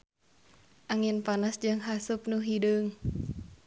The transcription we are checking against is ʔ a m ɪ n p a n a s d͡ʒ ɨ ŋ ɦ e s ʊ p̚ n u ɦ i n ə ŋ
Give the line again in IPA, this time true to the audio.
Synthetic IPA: ʔ a ŋ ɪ n p a n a s d͡ʒ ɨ ŋ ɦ a s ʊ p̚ n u ɦ i d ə ŋ